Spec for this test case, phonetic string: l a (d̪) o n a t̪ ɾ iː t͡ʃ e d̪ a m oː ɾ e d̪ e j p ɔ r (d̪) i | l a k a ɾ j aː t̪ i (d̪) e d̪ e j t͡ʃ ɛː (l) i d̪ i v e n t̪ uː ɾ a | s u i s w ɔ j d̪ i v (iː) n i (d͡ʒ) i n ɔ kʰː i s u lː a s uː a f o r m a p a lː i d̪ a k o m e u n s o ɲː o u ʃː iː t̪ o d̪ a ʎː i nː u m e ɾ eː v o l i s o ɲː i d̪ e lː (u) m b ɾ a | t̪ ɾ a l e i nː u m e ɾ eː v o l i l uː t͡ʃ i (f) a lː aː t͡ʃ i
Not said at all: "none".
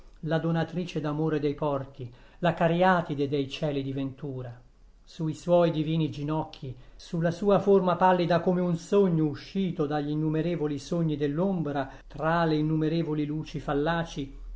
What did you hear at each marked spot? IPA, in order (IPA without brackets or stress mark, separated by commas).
d̪, t̪, d̪, l, iː, d͡ʒ, o, f